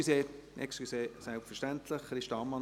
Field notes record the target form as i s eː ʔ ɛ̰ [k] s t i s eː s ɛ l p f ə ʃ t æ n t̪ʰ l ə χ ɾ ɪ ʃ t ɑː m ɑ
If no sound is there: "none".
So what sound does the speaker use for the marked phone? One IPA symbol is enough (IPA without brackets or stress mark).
k